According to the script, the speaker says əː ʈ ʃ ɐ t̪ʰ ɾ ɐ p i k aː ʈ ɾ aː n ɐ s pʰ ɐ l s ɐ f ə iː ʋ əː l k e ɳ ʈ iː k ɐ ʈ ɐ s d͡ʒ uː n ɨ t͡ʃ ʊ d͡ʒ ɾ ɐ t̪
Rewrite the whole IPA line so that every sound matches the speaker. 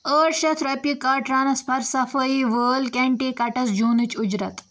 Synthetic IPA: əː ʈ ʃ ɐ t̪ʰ ɾ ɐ p i k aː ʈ ɾ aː n ɐ s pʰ ɐ ɾ s ɐ f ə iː ʋ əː l k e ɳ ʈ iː k ɐ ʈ ɐ s d͡ʒ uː n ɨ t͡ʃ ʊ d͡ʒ ɾ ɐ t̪